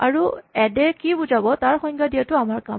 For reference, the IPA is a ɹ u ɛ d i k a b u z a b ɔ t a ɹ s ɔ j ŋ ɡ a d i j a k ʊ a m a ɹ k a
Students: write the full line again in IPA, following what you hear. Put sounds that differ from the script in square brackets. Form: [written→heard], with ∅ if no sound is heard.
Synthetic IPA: a ɹ u ɛ d [i→ɛ] k [a→i] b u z a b ɔ t a ɹ [s→x] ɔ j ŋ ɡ a d i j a [k→t] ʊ a m a ɹ k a